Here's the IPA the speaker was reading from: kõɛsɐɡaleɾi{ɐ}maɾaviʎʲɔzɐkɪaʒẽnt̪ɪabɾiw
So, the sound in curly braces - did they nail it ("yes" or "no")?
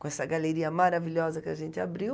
yes